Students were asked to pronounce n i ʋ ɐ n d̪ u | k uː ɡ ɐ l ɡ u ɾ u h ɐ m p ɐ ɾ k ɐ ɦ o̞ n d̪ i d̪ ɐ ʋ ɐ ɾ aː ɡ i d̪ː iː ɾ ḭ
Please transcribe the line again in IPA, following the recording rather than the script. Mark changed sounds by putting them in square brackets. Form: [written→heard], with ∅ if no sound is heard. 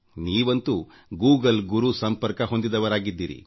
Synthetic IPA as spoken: n [i→iː] ʋ ɐ n [d̪→t̪] u | [k→ɡ] uː ɡ ɐ l ɡ u ɾ u [h→s] ɐ m p ɐ ɾ k ɐ ɦ o̞ n d̪ i d̪ ɐ ʋ ɐ ɾ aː ɡ i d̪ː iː ɾ ḭ